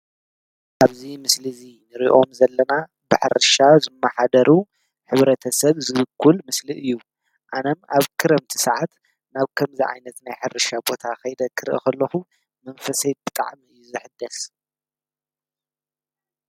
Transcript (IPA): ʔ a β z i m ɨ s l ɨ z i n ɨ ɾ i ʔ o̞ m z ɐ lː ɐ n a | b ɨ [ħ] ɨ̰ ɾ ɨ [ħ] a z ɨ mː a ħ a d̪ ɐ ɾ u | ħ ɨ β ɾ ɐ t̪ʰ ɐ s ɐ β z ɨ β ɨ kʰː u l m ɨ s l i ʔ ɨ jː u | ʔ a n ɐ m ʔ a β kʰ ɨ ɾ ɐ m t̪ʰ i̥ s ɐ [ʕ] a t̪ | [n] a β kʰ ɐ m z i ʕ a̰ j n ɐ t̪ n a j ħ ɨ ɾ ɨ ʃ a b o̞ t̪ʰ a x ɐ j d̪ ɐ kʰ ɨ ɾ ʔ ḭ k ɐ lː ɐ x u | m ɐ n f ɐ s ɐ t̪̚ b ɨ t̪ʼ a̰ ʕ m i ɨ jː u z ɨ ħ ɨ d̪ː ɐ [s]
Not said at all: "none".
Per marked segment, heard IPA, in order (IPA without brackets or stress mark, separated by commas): ħ, ʃ, ʕ, n, s